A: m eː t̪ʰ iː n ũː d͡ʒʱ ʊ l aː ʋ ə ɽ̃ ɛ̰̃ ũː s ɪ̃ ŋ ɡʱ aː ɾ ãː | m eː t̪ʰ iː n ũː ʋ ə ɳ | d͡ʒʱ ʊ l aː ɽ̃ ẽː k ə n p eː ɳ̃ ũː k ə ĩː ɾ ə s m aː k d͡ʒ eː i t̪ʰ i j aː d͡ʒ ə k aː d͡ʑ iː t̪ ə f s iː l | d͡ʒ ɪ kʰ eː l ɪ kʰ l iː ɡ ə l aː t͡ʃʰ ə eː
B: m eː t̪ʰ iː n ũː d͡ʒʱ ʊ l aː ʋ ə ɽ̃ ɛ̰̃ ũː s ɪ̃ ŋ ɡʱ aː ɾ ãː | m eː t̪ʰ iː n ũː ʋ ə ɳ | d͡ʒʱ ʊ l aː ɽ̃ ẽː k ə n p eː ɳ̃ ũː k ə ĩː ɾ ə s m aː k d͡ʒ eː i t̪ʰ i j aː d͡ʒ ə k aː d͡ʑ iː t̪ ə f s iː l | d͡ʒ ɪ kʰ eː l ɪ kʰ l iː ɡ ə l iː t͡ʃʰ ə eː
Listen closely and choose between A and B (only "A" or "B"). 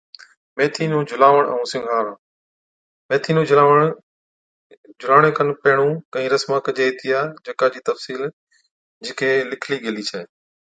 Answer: B